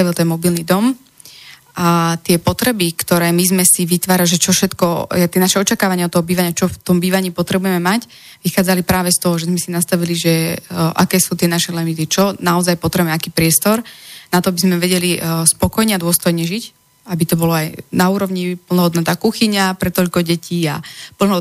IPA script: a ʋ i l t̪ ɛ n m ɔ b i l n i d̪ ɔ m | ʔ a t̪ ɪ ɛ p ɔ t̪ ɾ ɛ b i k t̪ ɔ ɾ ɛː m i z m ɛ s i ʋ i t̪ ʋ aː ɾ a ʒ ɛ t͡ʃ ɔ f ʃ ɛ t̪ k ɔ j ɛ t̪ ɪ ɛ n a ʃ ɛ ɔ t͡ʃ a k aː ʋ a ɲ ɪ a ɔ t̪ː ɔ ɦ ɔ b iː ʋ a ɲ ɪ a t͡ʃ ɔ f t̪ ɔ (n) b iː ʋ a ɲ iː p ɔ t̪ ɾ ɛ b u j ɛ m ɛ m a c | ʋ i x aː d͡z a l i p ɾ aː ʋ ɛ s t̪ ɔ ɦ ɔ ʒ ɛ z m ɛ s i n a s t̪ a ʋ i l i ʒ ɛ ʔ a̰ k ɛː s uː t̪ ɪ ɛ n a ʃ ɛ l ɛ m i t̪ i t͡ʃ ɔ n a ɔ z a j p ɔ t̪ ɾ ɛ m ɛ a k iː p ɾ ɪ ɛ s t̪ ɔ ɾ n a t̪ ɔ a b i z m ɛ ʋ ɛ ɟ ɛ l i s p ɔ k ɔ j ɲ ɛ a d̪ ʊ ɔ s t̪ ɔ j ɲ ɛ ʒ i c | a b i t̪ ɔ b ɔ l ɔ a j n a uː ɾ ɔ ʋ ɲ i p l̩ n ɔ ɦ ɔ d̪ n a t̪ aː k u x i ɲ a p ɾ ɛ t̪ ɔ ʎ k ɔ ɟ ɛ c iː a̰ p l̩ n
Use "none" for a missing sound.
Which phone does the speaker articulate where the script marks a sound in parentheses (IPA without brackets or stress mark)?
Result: m